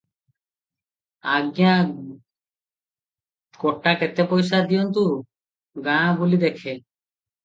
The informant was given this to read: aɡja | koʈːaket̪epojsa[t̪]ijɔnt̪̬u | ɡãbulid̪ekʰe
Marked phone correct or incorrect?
incorrect